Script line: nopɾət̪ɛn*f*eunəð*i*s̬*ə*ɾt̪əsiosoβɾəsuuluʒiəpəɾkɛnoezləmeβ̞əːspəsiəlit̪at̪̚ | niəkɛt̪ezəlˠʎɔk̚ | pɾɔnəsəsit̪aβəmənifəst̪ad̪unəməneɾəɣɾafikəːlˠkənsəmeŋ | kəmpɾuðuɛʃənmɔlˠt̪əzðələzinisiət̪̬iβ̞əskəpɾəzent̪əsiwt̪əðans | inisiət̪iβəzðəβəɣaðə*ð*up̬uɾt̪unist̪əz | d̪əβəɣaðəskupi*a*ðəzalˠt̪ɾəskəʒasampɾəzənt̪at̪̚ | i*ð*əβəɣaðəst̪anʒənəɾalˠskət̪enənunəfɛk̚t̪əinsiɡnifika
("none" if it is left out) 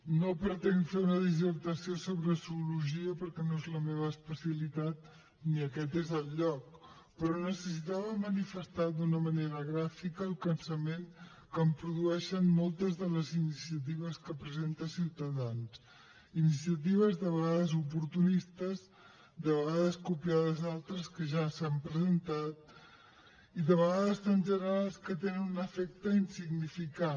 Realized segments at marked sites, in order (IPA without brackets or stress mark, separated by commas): f, i, ə, z, a, ð